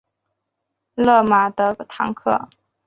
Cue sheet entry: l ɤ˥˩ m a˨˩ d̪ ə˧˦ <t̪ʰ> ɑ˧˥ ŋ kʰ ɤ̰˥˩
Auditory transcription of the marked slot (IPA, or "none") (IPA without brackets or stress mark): t̪ʰ